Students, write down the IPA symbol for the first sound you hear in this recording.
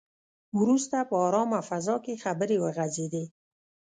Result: w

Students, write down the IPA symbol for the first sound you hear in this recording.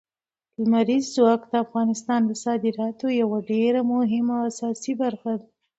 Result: l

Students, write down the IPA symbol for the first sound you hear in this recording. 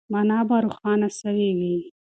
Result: m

